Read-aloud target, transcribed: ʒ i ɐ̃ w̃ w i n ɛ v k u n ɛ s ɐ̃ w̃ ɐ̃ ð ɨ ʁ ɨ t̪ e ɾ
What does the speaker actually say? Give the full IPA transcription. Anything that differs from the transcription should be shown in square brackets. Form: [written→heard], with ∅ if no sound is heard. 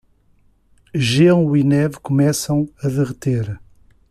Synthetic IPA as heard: ʒ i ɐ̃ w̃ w i n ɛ v k u [n→m] ɛ s ɐ̃ w̃ [ɐ̃→ɐ] ð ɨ ʁ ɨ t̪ e ɾ